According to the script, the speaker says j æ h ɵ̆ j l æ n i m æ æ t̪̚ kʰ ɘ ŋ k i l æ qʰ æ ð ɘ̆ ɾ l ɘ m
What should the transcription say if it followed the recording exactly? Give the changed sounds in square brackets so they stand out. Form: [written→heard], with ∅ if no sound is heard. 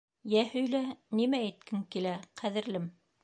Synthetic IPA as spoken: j æ h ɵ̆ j l æ n i m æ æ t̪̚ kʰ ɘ ŋ k i l æ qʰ æ ð ɘ̆ ɾ l ɘ m